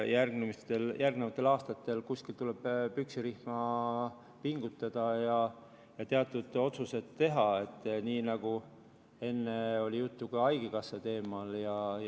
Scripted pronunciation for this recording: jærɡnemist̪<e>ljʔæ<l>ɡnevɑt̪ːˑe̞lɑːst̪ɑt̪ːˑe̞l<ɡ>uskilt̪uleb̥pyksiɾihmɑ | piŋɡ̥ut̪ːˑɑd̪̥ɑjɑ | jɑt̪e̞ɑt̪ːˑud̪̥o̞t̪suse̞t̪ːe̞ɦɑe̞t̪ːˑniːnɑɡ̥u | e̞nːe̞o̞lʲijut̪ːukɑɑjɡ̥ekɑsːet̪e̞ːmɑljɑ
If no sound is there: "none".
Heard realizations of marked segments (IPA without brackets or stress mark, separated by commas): e, r, k